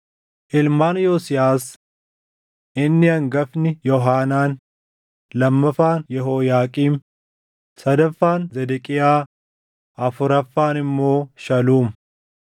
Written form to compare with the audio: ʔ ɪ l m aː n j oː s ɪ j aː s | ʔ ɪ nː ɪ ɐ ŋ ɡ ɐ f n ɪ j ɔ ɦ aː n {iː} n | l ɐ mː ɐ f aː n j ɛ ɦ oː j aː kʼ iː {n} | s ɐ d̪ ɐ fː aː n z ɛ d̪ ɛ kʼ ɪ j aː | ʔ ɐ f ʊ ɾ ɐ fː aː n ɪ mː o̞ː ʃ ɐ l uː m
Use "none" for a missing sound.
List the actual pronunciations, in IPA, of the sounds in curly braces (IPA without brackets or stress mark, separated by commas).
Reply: aː, m